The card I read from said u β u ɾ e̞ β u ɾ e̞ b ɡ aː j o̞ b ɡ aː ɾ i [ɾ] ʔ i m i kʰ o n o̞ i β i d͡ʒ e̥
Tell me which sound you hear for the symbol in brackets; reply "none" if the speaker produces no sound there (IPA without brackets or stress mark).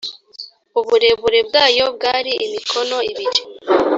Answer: none